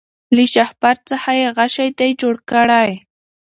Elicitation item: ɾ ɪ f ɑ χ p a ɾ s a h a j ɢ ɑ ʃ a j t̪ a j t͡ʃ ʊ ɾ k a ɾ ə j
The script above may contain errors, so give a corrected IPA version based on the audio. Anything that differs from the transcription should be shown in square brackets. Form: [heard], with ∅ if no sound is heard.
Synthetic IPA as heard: [l] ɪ [ʃ] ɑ χ p a ɾ [t͡s] a h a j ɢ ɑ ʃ a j t̪ a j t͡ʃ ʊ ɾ k a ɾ [a] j

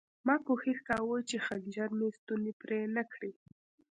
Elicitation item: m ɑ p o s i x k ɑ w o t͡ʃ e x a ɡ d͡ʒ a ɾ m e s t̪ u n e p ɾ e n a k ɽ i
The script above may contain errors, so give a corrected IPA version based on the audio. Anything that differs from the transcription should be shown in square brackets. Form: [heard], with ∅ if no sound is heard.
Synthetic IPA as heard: m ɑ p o [x] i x k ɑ w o t͡ʃ e x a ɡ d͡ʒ a ɾ m e s t̪ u n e p ɾ e n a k ɽ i

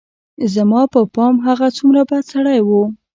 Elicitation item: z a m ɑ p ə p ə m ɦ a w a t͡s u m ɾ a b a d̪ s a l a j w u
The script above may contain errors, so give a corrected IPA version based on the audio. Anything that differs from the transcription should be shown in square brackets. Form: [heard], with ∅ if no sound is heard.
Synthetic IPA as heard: z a m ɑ p ə p [ɑ] m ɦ a [ɣ] a t͡s u m ɾ a b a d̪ s a [ɽ] a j w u

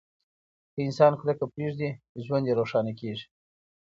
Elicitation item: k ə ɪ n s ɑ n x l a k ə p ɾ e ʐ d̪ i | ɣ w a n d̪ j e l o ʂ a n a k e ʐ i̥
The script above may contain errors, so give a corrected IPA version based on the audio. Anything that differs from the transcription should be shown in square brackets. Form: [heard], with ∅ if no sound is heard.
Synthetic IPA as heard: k ə ɪ n s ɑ n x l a k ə p ɾ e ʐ d̪ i | [ʒ] w a n d̪ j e [ɾ] o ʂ [ɑ] n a k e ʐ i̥

